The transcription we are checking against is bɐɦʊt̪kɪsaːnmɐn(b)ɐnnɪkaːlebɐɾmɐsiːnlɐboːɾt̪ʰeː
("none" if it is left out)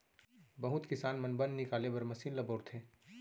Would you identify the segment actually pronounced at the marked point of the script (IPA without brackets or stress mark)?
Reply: b